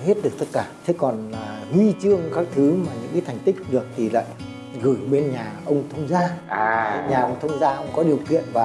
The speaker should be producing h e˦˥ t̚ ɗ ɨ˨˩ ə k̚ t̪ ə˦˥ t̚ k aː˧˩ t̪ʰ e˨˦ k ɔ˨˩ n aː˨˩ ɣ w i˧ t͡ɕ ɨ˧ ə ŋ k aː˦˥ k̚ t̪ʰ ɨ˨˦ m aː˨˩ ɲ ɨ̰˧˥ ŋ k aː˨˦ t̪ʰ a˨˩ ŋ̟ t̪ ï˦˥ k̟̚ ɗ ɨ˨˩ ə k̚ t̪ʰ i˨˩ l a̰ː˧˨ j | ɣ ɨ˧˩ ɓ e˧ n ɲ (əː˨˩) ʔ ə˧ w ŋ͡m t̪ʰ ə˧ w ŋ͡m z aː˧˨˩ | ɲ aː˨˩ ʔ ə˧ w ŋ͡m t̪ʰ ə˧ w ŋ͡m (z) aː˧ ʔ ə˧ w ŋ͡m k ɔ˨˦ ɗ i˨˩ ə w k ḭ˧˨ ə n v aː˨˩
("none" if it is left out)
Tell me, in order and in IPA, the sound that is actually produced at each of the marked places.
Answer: aː˨˩, z

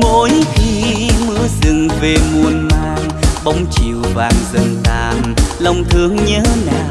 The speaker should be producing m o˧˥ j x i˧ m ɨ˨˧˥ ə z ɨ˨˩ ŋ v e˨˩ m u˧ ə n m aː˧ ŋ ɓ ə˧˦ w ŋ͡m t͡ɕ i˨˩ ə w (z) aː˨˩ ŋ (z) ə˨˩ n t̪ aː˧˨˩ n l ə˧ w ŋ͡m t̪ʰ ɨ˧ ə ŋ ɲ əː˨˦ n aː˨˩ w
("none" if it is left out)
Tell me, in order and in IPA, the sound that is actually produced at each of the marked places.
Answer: v, z

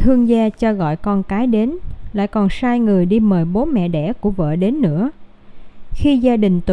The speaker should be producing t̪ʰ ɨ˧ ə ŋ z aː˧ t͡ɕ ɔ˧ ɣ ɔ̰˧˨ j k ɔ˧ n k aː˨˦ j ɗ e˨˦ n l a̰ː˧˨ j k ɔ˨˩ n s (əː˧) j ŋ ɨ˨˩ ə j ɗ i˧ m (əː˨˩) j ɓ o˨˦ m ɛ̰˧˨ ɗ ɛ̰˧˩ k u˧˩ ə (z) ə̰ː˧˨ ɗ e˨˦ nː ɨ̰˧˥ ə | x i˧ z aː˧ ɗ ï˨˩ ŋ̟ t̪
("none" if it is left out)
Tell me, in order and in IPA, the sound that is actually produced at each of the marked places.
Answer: aː˧, əː˨˩, v

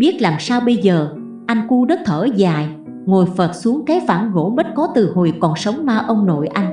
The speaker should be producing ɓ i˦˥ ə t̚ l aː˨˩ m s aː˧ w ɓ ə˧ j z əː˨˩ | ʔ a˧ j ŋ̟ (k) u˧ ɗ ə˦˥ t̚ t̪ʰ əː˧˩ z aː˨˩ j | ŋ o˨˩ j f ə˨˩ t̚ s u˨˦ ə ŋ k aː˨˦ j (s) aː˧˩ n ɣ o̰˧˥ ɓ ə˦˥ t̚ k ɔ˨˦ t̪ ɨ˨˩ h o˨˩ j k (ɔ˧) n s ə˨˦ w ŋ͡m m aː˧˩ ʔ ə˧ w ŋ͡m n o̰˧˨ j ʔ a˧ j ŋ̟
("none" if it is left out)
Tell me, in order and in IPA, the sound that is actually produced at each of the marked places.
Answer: k, f, ɔ˨˩

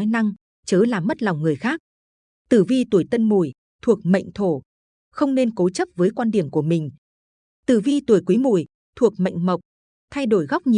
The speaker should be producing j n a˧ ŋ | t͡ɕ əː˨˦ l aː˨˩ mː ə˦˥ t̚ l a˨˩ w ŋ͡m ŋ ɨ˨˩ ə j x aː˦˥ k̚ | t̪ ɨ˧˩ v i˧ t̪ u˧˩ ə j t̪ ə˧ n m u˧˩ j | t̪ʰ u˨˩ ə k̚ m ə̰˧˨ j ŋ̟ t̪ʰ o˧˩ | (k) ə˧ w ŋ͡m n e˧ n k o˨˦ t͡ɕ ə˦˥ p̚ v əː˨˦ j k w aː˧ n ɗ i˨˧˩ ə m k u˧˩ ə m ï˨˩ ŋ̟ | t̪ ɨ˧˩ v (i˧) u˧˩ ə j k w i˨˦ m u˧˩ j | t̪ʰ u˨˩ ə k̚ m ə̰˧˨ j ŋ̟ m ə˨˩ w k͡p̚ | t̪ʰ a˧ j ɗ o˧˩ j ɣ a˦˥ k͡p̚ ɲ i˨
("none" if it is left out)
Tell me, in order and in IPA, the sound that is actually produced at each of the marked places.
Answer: x, i˧

